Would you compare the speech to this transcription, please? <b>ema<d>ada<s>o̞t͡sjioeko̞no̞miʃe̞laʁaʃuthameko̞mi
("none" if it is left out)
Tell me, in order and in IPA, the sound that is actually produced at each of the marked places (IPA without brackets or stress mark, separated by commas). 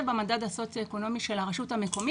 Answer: b, d, s